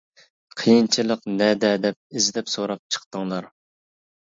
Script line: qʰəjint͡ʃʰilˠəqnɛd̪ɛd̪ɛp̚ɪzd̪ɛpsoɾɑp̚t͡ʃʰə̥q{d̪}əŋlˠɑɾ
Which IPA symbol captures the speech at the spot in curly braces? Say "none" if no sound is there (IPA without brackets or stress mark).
t̪